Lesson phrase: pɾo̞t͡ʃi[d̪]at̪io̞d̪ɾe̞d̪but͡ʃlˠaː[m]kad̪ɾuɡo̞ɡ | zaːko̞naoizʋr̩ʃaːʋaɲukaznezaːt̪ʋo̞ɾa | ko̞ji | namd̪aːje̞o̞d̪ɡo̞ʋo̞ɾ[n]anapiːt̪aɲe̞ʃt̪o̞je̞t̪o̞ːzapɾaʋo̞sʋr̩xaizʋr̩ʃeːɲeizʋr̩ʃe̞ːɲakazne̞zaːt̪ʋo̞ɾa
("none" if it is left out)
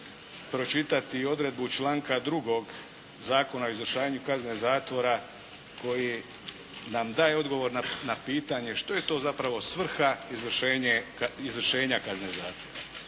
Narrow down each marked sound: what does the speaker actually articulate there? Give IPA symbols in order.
t̪, ŋ, n

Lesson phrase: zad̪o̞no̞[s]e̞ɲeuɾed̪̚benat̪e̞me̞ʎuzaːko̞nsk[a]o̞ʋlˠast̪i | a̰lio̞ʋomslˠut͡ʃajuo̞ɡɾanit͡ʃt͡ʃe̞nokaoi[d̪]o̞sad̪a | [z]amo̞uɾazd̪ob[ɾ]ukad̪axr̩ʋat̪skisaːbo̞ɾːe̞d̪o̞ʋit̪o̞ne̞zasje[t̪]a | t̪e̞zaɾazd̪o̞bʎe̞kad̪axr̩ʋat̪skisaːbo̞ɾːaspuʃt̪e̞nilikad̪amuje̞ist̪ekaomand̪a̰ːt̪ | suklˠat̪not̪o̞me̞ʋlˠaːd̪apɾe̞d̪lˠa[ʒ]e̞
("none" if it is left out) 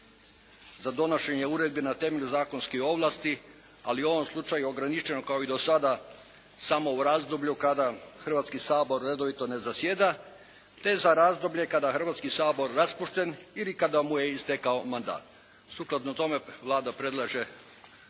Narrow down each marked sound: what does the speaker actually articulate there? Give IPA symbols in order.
ʃ, i, d̪, s, ʎ, d̪, ʒ

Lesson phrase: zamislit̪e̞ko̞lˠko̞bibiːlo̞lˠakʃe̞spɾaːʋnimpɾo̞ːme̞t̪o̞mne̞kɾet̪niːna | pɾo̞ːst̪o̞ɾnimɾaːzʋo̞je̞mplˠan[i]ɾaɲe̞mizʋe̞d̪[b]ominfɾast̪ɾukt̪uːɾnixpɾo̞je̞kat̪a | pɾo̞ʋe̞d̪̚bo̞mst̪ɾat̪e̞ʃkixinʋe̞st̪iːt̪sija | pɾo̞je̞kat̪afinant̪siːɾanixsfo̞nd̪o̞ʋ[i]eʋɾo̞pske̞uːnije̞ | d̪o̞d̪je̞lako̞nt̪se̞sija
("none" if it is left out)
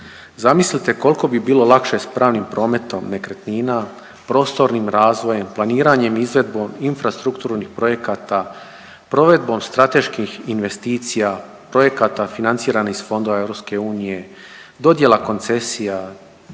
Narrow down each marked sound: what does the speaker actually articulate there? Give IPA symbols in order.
iː, b, a

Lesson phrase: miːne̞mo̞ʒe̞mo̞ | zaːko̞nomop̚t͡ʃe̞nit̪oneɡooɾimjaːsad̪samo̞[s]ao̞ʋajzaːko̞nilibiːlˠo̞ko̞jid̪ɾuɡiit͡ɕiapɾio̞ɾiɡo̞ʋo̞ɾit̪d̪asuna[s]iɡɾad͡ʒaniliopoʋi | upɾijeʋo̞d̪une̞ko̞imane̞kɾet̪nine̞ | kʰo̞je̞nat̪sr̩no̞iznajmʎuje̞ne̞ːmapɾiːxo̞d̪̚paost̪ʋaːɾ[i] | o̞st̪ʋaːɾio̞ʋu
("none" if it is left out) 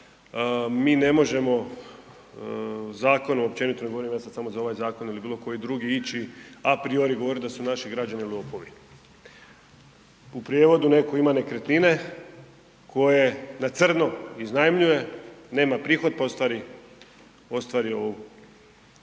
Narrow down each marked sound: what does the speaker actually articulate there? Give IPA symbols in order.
z, ʃ, i

